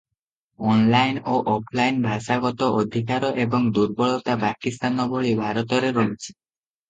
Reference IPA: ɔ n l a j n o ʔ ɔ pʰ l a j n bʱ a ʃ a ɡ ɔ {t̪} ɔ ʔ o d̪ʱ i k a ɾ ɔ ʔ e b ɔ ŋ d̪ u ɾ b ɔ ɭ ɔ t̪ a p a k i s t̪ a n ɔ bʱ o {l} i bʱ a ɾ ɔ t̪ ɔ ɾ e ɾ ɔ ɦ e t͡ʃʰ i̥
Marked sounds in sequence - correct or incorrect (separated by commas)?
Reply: correct, incorrect